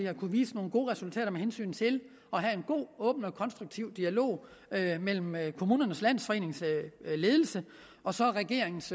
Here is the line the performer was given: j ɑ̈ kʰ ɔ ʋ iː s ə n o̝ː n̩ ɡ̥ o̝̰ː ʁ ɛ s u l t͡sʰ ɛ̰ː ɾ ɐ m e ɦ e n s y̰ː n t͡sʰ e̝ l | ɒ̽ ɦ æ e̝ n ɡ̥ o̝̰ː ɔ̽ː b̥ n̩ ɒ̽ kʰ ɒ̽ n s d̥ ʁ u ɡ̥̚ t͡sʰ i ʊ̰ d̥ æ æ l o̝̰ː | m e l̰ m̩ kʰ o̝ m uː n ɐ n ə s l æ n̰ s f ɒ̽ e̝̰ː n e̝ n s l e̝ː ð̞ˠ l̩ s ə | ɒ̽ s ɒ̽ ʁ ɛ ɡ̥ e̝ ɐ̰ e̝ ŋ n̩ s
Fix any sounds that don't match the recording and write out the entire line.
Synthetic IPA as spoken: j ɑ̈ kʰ u ʋ iː s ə n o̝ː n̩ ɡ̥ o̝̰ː ʁ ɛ s u l t͡sʰ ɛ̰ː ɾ ɐ m e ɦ e n s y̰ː n t͡sʰ e̝ l | ɒ̽ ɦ æ e̝ n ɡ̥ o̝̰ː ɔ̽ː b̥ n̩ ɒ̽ kʰ ɒ̽ n s d̥ ʁ u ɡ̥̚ t͡sʰ i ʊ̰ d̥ i æ l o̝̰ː | m e l̰ m̩ kʰ o̝ m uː n ɐ n ə s l æ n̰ s f ɒ̽ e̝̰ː n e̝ ŋ s l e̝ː ð̞ˠ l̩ s ə | ɒ̽ s ɒ̽ ʁ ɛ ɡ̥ e̝ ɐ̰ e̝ ŋ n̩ s